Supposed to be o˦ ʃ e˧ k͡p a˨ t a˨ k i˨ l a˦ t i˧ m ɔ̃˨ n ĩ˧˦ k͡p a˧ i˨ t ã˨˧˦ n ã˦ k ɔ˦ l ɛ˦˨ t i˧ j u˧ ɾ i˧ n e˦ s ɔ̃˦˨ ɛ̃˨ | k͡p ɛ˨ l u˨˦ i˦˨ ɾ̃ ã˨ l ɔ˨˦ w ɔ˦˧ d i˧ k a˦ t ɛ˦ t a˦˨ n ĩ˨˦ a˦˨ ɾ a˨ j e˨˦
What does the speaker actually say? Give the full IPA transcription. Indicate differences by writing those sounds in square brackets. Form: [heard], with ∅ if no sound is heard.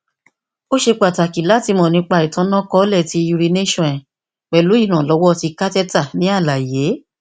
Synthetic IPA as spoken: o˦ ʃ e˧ k͡p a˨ t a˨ k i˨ l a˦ t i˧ m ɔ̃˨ n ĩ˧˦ k͡p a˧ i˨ t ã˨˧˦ n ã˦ k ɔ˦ l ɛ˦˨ t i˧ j u˧ ɾ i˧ n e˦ [ʃ] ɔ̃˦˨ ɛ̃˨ | k͡p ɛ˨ l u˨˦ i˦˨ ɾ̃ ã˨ l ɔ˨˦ w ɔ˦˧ [t] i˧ k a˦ t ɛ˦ t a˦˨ n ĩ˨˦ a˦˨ [l] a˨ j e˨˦